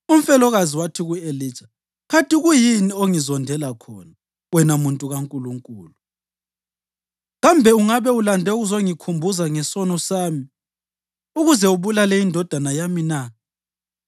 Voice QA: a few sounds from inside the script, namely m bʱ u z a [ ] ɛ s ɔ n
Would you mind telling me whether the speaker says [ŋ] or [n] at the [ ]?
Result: ŋ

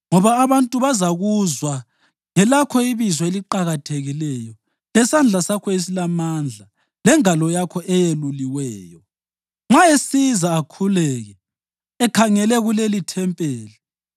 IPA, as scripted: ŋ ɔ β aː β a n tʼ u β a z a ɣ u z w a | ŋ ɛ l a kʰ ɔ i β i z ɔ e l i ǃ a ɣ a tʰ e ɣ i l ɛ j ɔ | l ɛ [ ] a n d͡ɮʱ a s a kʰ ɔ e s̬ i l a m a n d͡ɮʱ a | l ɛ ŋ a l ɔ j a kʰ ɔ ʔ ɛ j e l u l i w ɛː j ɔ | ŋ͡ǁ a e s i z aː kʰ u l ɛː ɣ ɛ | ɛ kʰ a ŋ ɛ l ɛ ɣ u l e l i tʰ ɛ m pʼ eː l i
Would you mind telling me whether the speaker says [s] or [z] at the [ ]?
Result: s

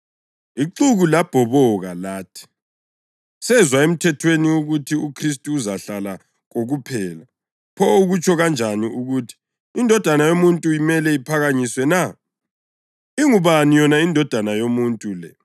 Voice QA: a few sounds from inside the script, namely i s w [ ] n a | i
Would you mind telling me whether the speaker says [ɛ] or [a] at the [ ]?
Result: ɛ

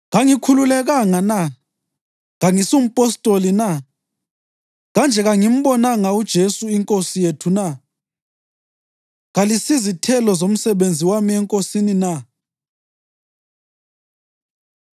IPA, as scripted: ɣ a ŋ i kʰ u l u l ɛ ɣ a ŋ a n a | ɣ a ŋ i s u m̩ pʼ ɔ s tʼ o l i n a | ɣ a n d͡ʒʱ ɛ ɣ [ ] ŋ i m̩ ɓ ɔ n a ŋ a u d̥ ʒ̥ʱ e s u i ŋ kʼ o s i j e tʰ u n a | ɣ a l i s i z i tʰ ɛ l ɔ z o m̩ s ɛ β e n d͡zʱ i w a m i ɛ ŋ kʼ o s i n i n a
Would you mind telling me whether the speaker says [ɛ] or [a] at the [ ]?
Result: a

